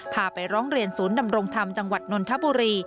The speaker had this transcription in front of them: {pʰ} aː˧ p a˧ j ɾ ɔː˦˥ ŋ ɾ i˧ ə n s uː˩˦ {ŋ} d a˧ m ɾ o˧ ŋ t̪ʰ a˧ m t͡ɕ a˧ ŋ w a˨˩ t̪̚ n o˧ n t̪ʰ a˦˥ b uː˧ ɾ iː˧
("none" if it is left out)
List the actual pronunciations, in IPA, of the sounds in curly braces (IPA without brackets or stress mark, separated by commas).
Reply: pʰ, n